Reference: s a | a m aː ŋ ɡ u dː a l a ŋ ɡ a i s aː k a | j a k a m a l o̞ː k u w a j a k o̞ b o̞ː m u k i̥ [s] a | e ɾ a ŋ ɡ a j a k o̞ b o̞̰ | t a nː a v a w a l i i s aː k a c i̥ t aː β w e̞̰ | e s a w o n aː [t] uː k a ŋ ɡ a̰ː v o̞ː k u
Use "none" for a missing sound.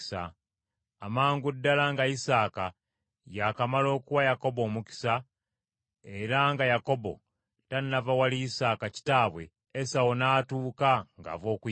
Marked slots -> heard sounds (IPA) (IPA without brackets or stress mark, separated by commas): s, t